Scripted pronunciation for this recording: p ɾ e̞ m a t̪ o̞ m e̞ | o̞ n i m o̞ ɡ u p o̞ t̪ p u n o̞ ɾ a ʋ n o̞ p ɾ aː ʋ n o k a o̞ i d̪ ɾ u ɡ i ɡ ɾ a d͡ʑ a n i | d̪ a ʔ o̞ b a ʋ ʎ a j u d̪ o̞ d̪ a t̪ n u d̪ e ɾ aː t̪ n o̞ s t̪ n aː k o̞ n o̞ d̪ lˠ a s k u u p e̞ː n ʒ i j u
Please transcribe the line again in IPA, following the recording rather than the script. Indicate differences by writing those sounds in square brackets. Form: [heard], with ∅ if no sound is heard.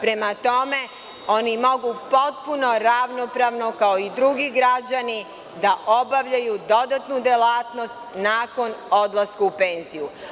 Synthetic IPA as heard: p ɾ e̞ m a t̪ o̞ m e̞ | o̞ n i m o̞ ɡ u p o̞ t̪ p u n o̞ ɾ a ʋ n o̞ p ɾ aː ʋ n o k a o̞ i d̪ ɾ u ɡ i ɡ ɾ a d͡ʑ a n i | d̪ a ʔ o̞ b a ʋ ʎ a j u d̪ o̞ d̪ a t̪ n u d̪ e [l] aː t̪ n o̞ s t̪ n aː k o̞ n o̞ d̪ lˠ a s k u u p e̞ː n [z] i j u